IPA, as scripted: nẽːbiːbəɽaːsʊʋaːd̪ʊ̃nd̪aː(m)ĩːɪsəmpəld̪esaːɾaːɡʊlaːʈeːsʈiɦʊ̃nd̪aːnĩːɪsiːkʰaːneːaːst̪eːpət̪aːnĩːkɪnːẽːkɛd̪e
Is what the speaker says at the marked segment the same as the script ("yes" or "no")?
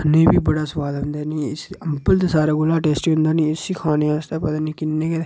no